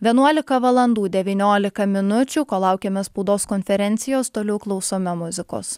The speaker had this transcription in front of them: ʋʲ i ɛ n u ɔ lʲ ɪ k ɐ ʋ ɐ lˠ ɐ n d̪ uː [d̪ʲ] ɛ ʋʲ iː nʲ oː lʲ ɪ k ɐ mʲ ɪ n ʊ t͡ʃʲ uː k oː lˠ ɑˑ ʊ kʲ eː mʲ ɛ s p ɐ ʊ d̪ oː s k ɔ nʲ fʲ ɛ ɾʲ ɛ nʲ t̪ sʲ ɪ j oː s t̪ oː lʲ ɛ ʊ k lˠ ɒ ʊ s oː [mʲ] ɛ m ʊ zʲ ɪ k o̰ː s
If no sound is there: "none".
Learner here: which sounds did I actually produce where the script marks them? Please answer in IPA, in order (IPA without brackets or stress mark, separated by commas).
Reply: d̪ʲ, mʲ